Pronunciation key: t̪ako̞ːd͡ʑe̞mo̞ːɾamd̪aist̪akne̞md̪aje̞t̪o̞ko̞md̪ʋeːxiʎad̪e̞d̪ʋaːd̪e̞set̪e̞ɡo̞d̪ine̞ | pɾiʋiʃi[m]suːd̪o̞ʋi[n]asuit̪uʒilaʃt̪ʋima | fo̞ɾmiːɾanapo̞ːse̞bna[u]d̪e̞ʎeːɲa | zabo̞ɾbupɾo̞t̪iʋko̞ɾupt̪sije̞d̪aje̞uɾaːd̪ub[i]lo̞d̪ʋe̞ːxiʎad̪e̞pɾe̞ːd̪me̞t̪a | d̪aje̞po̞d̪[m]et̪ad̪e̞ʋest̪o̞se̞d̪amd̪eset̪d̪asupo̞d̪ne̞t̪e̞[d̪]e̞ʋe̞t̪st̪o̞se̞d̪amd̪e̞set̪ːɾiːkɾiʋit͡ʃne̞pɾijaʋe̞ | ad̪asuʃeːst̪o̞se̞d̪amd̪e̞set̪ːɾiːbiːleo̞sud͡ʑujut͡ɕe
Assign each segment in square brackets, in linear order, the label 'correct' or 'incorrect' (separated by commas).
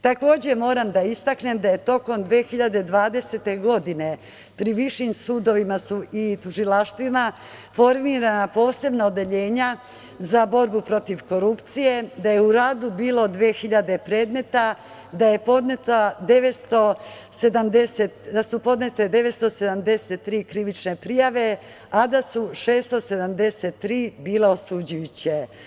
correct, incorrect, incorrect, incorrect, incorrect, correct